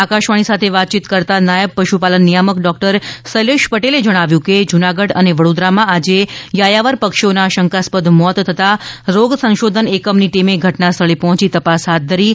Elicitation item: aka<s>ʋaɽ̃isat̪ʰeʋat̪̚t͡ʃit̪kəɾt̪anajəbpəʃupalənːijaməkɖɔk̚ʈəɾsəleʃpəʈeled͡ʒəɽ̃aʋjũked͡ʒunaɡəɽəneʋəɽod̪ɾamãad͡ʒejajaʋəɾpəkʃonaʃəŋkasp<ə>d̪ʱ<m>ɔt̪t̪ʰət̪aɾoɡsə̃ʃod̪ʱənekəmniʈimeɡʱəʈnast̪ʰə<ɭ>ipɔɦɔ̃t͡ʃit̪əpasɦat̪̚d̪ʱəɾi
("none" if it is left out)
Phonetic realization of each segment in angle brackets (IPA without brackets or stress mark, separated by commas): ʃ, ə, m, ɭ